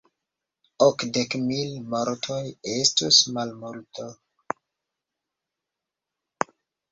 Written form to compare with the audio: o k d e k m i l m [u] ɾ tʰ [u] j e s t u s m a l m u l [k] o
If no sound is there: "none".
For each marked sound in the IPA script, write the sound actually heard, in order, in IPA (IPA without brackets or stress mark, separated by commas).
o, o, t